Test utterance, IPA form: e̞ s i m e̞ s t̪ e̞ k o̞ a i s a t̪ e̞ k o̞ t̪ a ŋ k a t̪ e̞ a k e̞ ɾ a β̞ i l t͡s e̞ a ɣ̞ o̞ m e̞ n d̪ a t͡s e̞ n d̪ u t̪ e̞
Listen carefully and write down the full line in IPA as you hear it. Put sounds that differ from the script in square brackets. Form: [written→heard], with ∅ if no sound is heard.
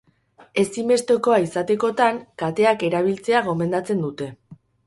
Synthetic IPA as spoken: e̞ s i m e̞ s t̪ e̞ k o̞ a i s a t̪ e̞ k o̞ t̪ a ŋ k a t̪ e̞ a k e̞ ɾ a β̞ i l t͡s e̞ a ɣ̞ o̞ m e̞ n d̪ a t͡s e̞ n d̪ u t̪ e̞